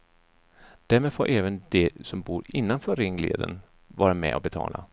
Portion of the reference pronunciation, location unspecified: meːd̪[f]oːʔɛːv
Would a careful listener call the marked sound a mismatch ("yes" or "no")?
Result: no